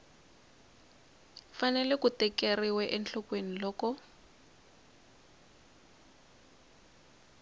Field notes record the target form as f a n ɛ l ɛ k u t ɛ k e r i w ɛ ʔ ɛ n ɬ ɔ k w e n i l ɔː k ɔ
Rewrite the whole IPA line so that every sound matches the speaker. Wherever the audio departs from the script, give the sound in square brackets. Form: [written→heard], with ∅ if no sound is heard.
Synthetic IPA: f a n ɛ l ɛ k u t ɛ k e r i w ɛ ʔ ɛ n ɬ ɔ k w e n i l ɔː k ɔ